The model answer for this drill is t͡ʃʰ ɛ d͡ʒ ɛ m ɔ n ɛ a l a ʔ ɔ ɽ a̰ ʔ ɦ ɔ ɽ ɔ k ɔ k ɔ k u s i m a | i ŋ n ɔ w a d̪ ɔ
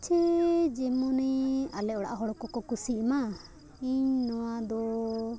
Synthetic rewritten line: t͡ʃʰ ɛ d͡ʒ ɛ m ɔ n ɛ a l ɛ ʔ ɔ ɽ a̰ ʔ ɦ ɔ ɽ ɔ k ɔ k ɔ k u s i m a | i ɲ n ɔ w a d̪ ɔ